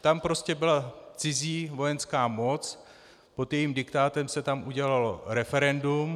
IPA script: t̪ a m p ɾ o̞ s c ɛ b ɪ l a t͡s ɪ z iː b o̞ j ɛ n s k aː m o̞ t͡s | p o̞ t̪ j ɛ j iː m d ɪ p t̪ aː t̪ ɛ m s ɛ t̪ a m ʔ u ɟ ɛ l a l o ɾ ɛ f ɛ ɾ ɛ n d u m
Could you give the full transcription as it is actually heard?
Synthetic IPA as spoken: t̪ a m p ɾ o̞ s c ɛ b ɪ l a t͡s ɪ z iː v o̞ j ɛ n s k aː m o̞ t͡s | p o̞ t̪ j ɛ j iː m d ɪ k t̪ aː t̪ ɛ m s ɛ t̪ a m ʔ u ɟ ɛ l a l o ɾ ɛ f ɛ ɾ ɛ n d u m